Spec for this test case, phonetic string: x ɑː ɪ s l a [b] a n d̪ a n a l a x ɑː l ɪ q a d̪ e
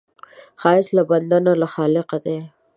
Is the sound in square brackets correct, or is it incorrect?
correct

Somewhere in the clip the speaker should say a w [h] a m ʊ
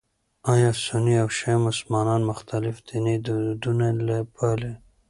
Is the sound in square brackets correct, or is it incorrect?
incorrect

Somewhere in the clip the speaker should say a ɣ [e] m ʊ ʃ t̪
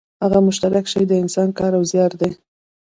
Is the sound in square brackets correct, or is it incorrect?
incorrect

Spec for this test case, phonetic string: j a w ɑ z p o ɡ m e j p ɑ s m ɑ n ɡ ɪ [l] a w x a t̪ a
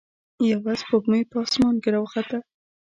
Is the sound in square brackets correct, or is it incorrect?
incorrect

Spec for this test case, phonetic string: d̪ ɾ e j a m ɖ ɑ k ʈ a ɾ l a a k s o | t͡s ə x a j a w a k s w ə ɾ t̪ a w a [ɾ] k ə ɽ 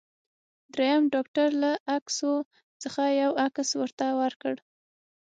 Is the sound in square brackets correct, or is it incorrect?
correct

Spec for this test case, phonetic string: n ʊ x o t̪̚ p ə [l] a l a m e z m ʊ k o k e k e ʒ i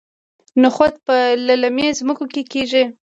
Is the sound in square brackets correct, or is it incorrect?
correct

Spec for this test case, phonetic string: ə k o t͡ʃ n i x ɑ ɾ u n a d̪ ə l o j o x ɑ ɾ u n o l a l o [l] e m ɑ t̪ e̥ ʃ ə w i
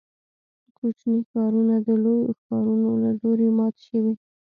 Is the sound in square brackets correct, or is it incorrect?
incorrect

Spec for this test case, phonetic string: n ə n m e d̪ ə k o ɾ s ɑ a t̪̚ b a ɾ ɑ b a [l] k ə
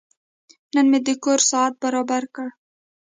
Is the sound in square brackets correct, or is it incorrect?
incorrect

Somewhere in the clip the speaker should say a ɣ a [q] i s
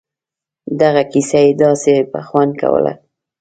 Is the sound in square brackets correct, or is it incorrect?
incorrect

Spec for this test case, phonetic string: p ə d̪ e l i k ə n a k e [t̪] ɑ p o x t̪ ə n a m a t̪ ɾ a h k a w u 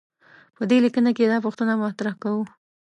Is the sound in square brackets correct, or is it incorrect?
incorrect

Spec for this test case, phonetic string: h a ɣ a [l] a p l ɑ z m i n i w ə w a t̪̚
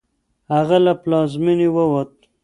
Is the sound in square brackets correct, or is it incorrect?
correct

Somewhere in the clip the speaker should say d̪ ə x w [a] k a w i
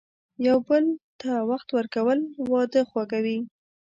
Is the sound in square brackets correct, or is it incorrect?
correct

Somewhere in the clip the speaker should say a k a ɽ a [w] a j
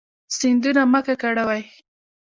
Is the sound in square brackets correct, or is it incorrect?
correct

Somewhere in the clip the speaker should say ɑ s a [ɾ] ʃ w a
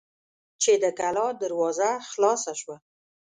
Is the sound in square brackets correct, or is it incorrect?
incorrect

